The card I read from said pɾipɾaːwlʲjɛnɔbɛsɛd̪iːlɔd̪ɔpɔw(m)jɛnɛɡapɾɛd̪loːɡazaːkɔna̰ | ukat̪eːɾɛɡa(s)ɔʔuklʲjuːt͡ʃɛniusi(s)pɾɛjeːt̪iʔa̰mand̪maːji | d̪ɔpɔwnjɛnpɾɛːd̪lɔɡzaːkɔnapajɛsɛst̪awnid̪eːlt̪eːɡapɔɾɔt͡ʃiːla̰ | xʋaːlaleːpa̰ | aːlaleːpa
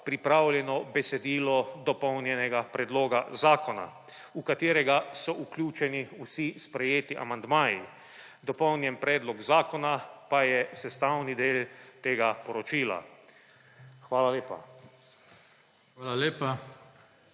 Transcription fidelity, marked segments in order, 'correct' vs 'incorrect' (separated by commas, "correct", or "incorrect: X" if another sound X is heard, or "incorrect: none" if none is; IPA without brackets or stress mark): incorrect: n, correct, correct